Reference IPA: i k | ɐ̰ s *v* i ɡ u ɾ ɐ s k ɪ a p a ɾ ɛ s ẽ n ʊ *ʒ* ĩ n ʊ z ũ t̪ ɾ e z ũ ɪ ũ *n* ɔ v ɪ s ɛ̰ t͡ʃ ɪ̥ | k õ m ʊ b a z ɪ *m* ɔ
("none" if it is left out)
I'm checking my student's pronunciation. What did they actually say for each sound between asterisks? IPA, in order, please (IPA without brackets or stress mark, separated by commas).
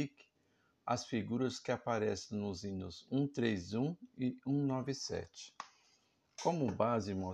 f, z, n, m